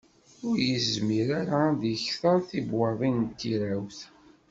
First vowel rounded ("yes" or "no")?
yes